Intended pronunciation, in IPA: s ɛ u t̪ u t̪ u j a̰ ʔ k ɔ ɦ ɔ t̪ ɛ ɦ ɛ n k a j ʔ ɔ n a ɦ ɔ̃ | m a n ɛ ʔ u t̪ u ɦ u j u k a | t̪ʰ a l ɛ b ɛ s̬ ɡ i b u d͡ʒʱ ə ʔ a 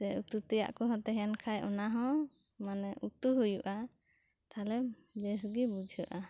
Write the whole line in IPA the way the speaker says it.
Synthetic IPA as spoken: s ɛ u t̪ u t̪ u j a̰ ʔ k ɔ ɦ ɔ t̪ ɛ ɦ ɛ n kʰ a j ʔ ɔ n a ɦ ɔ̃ | m a n ɛ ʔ u t̪ u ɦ u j u ʔ a | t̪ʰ a l ɛ b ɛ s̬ ɡ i b u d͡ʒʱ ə ʔ a